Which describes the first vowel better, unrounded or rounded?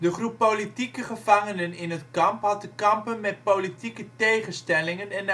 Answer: unrounded